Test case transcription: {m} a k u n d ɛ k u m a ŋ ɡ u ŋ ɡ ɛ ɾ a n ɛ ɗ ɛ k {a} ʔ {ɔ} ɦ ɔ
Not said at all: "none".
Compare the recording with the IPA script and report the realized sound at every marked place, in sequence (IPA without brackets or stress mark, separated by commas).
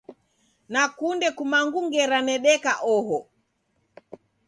n, a, ɔ